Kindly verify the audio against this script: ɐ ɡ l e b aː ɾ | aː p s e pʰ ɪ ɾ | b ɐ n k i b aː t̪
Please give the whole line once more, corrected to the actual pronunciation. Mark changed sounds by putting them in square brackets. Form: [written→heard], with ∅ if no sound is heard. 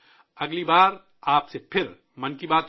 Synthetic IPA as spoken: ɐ ɡ l [e→i] b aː ɾ | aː p s e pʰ ɪ ɾ | [b→m] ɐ n k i b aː t̪